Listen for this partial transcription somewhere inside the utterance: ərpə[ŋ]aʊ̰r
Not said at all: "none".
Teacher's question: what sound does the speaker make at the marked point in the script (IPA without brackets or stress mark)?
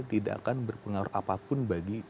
ŋ